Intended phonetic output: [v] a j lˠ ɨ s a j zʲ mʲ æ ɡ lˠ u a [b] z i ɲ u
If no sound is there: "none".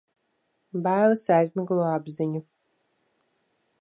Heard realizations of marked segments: b, b

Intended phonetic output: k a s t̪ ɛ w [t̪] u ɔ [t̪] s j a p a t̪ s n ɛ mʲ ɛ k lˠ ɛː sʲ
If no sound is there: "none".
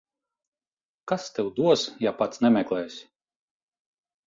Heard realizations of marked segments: d̪, none

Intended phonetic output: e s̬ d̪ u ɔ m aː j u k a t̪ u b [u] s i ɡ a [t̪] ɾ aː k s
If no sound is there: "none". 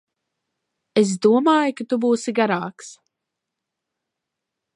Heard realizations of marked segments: uː, none

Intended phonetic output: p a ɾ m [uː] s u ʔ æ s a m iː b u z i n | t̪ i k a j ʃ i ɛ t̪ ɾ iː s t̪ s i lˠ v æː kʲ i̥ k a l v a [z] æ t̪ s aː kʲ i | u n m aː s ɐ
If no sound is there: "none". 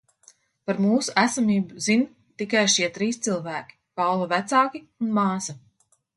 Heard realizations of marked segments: uː, v

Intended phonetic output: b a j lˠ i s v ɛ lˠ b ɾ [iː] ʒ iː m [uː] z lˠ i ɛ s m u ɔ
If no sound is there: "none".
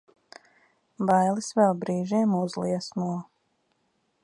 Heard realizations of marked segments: iː, u

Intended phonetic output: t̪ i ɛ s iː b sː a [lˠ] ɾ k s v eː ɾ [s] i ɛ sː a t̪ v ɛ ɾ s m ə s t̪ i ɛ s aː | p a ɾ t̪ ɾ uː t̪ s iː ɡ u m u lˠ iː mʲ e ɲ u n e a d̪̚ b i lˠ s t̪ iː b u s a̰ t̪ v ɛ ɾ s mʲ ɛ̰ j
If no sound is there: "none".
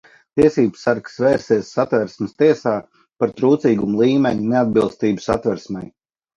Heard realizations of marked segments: none, s

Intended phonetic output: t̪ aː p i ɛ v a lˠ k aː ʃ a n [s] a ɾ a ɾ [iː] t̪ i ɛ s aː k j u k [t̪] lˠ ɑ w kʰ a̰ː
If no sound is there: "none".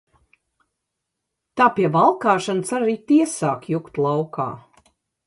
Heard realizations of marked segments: s, iː, t̪

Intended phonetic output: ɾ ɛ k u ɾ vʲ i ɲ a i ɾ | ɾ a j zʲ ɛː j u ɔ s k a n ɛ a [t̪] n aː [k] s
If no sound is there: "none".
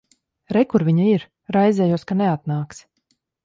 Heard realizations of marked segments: t̪, k

